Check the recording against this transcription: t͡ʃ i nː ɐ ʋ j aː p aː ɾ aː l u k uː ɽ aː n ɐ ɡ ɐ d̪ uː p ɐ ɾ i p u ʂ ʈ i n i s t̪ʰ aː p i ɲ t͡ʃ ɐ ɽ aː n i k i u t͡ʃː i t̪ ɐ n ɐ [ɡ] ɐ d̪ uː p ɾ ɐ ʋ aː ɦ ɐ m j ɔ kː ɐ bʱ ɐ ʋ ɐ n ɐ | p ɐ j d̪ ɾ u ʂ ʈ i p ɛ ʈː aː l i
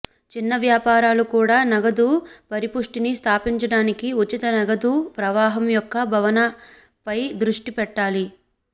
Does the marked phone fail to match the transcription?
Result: no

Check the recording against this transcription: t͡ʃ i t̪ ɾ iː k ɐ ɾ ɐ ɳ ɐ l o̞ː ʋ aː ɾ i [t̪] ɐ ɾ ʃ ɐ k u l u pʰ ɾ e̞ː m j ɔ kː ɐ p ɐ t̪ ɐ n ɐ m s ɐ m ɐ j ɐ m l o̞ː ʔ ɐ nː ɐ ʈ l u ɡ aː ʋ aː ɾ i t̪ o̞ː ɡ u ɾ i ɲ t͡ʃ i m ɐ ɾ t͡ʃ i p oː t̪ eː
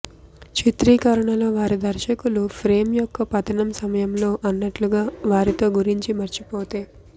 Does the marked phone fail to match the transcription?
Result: yes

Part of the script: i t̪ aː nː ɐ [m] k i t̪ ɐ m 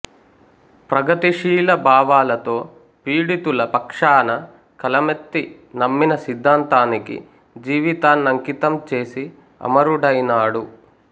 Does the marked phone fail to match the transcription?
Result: yes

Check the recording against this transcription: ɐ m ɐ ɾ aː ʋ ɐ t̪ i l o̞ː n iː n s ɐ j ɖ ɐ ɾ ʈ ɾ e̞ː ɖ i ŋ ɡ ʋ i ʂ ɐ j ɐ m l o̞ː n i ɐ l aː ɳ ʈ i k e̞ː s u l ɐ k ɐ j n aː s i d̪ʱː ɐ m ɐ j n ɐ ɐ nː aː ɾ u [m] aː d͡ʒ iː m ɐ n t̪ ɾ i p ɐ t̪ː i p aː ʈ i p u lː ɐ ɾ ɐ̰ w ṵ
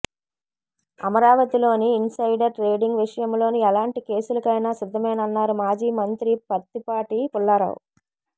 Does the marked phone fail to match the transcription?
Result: no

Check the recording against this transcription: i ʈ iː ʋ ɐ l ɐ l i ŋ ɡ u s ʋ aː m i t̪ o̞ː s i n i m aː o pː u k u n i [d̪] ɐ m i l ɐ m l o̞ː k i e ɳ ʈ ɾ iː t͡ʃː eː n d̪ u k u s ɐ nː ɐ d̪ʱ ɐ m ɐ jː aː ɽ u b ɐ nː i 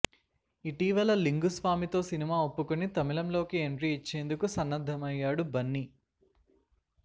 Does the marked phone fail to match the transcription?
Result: yes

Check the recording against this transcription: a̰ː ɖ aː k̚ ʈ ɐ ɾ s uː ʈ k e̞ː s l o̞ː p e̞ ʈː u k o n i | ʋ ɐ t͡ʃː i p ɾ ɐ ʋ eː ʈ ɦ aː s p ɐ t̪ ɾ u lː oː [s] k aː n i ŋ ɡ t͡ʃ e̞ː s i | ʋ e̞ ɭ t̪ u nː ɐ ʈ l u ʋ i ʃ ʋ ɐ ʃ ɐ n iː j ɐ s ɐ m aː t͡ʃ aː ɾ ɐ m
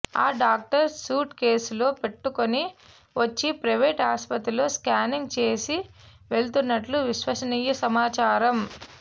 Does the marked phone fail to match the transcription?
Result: no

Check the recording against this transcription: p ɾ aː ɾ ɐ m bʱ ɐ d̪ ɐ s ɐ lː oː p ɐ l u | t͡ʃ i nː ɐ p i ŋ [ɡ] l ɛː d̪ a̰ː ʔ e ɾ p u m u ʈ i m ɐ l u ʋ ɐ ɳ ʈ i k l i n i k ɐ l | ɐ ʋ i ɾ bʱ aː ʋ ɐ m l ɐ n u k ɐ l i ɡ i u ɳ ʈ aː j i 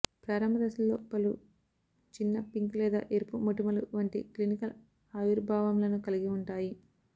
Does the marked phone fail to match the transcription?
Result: yes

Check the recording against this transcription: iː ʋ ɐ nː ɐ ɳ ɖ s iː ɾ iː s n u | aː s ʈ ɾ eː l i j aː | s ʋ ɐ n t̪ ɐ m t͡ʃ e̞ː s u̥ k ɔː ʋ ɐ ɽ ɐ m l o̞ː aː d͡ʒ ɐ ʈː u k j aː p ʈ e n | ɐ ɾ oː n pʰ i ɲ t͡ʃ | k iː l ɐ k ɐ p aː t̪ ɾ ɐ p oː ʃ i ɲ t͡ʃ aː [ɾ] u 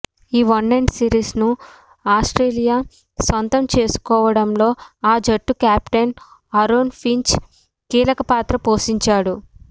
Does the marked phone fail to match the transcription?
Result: yes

